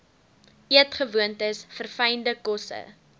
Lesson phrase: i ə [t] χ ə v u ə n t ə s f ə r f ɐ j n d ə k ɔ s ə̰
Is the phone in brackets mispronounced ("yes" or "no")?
no